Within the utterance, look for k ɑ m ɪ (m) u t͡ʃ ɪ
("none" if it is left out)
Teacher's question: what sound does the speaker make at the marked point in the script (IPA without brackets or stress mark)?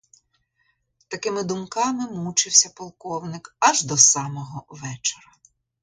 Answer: m